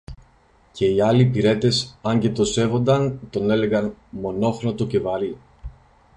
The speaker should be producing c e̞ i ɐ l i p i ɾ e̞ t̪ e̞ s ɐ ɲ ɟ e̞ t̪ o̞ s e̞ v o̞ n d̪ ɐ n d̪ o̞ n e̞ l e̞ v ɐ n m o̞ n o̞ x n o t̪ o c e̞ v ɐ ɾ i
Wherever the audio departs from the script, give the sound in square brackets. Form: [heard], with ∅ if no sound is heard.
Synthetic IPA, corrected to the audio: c e̞ i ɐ l i p i ɾ e̞ t̪ e̞ s ɐ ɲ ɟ e̞ t̪ o̞ s e̞ v o̞ n d̪ ɐ n [t̪] o̞ n e̞ l e̞ [ɣ] ɐ n m o̞ n o̞ x n o t̪ o c e̞ v ɐ ɾ i